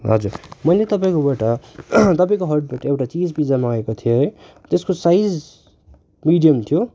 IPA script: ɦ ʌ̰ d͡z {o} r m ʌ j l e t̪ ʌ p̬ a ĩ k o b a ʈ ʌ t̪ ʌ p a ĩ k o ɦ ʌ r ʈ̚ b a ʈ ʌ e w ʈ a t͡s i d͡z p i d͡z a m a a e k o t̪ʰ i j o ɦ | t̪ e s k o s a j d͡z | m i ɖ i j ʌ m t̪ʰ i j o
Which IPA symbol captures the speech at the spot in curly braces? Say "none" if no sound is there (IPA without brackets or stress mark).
u